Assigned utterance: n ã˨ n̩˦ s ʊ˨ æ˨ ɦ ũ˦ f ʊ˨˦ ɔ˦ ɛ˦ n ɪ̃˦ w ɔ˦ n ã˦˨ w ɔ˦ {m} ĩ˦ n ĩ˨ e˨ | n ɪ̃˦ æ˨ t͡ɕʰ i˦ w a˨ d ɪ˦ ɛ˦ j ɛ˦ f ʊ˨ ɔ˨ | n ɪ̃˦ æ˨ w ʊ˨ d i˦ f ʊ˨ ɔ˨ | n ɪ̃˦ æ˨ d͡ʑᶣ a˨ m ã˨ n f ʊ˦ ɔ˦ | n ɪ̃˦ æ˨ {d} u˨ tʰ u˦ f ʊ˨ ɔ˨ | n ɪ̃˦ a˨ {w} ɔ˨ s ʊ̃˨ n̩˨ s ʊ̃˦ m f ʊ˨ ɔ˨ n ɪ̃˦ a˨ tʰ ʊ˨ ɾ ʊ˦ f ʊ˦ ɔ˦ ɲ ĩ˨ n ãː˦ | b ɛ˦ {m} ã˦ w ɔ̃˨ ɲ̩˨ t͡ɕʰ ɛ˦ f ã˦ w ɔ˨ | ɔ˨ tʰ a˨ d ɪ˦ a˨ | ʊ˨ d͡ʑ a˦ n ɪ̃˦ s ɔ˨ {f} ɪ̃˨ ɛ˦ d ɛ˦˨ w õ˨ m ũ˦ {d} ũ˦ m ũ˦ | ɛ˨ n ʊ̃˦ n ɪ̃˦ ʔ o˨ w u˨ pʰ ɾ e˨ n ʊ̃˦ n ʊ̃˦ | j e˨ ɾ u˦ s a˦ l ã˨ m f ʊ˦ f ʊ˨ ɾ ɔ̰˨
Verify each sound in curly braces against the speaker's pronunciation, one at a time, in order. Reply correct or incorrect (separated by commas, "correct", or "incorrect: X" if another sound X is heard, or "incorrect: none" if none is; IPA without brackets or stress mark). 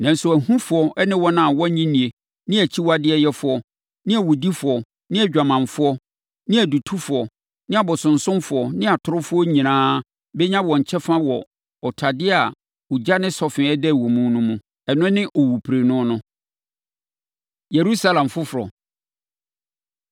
incorrect: ɲ, correct, incorrect: b, incorrect: ɲ, correct, incorrect: n